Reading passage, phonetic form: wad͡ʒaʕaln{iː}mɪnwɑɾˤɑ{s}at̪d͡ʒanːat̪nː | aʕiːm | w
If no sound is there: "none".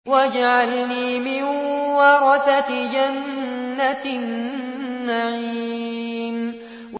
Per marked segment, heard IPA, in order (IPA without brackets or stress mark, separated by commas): iː, θ